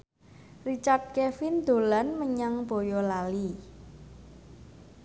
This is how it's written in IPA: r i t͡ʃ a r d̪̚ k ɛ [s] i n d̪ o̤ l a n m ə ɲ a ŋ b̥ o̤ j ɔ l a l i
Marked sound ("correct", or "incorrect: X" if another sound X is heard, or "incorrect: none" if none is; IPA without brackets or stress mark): incorrect: f